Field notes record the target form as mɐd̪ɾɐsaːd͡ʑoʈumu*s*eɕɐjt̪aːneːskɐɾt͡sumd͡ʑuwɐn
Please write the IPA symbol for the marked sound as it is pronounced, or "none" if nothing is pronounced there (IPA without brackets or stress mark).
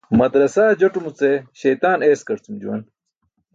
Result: t͡s